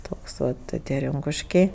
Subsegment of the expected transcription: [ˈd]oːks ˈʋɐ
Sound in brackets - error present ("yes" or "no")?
yes